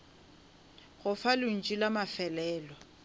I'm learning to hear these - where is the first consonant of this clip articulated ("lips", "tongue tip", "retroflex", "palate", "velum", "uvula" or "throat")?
velum